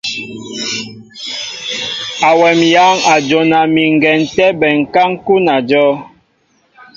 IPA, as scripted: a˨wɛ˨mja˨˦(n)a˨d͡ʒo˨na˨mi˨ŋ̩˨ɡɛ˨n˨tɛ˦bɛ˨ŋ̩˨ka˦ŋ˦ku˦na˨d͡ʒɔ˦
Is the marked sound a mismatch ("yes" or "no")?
yes